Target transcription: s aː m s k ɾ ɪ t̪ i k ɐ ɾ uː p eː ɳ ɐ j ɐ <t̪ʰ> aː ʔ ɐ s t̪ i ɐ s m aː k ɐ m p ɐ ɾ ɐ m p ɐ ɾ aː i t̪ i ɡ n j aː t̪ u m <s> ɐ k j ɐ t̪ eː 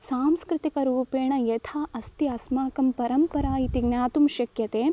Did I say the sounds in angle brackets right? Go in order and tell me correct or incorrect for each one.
correct, incorrect: ʃ

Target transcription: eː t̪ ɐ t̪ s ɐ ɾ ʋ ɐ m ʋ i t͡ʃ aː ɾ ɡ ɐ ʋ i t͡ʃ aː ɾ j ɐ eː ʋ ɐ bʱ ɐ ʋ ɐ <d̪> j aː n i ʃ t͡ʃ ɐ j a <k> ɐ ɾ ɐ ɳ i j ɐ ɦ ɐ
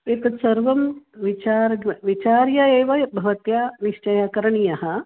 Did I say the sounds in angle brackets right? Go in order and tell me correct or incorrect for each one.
incorrect: t̪, correct

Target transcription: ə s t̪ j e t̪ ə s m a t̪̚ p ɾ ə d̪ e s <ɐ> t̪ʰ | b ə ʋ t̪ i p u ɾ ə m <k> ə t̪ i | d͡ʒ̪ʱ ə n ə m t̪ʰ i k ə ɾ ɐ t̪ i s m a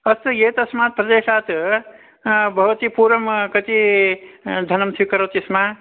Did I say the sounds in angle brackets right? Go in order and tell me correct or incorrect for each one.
incorrect: a, correct

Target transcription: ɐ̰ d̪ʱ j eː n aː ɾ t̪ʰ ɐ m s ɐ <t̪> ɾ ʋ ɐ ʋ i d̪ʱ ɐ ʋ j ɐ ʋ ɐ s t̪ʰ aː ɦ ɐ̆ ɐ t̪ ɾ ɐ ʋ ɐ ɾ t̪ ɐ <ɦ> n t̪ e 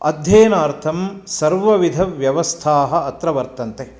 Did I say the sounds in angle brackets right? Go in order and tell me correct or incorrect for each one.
incorrect: none, incorrect: none

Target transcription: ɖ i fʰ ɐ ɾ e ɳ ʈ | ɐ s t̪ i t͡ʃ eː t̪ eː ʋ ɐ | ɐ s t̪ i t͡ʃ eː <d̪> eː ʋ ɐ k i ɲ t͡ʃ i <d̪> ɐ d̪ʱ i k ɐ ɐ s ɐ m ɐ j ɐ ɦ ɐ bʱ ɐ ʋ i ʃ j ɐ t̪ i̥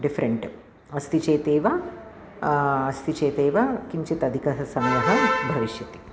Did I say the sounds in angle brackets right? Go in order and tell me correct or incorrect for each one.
incorrect: t̪, incorrect: t̪

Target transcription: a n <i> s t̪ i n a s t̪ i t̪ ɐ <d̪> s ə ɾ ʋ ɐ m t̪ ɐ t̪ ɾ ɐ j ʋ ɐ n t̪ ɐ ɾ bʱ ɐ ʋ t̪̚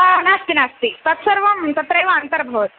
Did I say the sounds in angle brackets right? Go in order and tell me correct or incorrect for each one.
incorrect: a, incorrect: t̪

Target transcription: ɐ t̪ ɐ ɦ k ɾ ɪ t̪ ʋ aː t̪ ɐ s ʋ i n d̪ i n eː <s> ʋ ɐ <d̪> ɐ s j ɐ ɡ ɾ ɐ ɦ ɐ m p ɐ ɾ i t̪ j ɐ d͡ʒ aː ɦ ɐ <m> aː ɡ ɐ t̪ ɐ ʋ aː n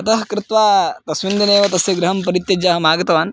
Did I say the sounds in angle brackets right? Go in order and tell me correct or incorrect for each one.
incorrect: none, incorrect: t̪, correct

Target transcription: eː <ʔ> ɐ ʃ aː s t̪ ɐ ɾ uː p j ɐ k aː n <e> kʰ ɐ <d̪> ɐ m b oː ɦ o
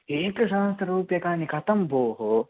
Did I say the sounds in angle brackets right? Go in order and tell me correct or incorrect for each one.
incorrect: k, incorrect: i, incorrect: t̪

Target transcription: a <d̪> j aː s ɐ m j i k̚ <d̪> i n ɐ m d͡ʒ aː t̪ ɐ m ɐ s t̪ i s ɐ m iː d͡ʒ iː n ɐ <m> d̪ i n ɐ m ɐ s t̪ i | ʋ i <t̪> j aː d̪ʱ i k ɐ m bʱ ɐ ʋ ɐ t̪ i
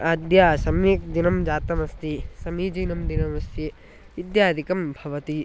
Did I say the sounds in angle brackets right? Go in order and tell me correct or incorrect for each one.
correct, correct, correct, incorrect: d̪

